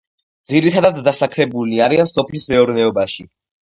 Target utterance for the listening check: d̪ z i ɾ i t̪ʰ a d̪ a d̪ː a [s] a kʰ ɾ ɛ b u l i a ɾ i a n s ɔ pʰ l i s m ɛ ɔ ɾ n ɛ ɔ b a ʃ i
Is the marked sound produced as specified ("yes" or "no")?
yes